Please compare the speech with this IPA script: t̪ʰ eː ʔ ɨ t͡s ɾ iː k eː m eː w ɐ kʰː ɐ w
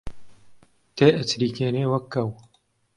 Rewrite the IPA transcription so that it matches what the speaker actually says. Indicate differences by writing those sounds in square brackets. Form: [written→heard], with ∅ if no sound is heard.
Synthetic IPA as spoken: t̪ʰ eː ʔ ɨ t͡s ɾ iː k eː [m→n] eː w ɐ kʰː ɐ w